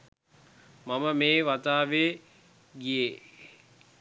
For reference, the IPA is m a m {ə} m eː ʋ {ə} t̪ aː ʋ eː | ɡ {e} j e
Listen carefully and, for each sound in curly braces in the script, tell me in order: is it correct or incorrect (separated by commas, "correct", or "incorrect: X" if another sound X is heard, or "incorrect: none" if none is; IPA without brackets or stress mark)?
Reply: correct, incorrect: a, incorrect: i